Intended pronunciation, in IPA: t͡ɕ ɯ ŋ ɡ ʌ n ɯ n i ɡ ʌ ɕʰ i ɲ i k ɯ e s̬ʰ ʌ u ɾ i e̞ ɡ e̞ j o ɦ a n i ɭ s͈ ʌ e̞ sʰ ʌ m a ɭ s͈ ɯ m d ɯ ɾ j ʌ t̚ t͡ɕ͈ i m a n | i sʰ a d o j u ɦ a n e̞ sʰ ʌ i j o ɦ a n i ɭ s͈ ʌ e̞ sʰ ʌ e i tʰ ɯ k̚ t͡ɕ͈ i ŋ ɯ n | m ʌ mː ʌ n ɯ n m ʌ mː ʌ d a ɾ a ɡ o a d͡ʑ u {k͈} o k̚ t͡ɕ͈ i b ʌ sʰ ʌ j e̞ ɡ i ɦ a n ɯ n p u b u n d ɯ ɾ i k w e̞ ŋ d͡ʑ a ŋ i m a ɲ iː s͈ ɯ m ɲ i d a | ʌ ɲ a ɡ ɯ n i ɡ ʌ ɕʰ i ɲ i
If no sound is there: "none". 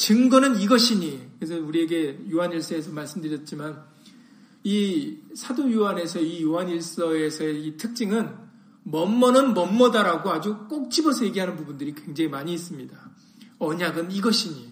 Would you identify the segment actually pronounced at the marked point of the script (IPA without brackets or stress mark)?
k͈